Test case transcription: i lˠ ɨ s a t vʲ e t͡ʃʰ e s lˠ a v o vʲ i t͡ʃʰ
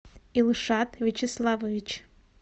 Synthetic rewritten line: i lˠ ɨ ʂ a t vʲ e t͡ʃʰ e s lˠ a v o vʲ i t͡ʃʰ